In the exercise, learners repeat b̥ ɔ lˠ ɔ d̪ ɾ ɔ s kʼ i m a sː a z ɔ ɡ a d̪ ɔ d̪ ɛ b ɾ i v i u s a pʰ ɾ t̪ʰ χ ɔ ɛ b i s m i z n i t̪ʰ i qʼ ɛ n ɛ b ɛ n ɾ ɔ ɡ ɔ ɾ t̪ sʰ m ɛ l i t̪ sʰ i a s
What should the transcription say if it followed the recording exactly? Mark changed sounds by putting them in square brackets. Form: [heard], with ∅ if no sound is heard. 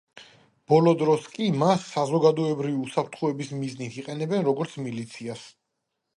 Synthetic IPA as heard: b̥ ɔ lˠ ɔ d̪ ɾ ɔ s kʼ i m a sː a z ɔ ɡ a d̪ ɔ [∅] ɛ b ɾ i v i u s a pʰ ɾ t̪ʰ χ ɔ ɛ b i s m i z n i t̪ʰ i qʼ ɛ n ɛ b ɛ n ɾ ɔ ɡ ɔ ɾ t̪ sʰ m [i] l i t̪ sʰ i a s

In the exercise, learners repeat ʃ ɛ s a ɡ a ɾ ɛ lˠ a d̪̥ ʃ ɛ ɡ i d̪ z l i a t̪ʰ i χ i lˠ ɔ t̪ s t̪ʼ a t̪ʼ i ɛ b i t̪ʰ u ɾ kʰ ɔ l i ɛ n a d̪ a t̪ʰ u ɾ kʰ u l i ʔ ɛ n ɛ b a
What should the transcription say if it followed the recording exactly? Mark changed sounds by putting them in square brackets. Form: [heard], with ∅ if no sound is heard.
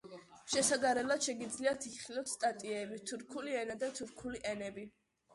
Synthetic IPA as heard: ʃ ɛ s a ɡ a ɾ ɛ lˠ a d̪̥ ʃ ɛ ɡ i d̪ z l i a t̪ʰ i χ i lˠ ɔ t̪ s t̪ʼ a t̪ʼ i ɛ b i t̪ʰ u ɾ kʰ [u] l i ɛ n a d̪ a t̪ʰ u ɾ kʰ u l i ʔ ɛ n ɛ b [i]

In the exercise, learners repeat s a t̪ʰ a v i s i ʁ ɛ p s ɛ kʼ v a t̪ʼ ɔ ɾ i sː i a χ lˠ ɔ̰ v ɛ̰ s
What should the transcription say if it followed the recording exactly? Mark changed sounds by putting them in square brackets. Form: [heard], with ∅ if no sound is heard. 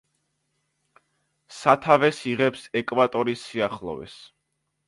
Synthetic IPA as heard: s a t̪ʰ a v [ɛ] s i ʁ ɛ p s ɛ kʼ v a t̪ʼ ɔ ɾ i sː i a χ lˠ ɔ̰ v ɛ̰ s

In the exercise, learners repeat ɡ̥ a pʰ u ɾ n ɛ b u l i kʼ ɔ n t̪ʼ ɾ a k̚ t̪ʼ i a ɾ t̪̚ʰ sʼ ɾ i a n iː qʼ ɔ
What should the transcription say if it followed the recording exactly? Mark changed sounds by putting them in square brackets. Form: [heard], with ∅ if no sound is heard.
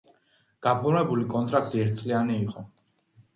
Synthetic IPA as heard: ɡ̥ a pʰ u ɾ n ɛ b u l i kʼ ɔ n t̪ʼ ɾ a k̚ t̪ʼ i [ɛ] ɾ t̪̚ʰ sʼ [l] i a n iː qʼ ɔ

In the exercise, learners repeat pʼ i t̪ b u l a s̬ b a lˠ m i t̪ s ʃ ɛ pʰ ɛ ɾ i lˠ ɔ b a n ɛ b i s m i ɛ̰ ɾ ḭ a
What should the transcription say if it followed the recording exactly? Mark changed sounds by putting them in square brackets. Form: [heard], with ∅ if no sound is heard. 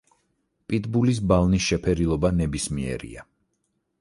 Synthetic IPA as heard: pʼ i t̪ b u l [i] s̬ b a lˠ [n] i [∅] s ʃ ɛ pʰ ɛ ɾ i lˠ ɔ b a n ɛ b i s m i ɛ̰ ɾ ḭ a

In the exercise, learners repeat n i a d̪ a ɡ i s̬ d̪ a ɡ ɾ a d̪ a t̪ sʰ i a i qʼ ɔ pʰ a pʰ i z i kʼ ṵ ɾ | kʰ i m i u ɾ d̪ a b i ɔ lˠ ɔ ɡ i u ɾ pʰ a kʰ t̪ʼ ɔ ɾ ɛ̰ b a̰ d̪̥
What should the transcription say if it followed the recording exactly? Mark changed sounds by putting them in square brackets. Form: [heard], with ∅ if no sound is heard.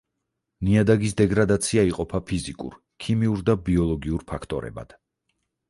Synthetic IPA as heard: n i a d̪ a ɡ i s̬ d̪ [ɛ] ɡ ɾ a d̪ a t̪ sʰ i a i qʼ ɔ pʰ a pʰ i z i kʼ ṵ ɾ | kʰ i m i u ɾ d̪ a b i ɔ lˠ ɔ ɡ i u ɾ pʰ a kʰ t̪ʼ ɔ ɾ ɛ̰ b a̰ d̪̥

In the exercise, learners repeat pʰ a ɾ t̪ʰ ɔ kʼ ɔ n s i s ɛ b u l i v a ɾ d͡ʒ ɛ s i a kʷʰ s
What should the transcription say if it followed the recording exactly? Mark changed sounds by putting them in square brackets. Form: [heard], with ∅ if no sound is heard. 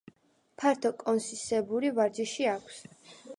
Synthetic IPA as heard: pʰ a ɾ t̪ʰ ɔ kʼ ɔ n s i s ɛ b u [ɾ] i v a ɾ d͡ʒ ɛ [ʃ] i a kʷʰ s

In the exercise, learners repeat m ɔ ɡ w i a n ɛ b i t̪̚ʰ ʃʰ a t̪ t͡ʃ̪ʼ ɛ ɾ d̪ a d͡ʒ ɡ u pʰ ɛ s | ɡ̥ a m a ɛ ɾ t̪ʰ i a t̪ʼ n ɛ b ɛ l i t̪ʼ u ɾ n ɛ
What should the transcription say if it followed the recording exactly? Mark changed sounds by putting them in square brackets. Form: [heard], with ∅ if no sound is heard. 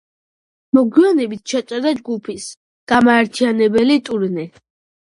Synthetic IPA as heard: m ɔ ɡ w i a n ɛ b i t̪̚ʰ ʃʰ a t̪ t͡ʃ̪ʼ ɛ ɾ d̪ a d͡ʒ ɡ u pʰ [i] s | ɡ̥ a m a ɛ ɾ t̪ʰ i a [∅] n ɛ b ɛ l i t̪ʼ u ɾ n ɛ

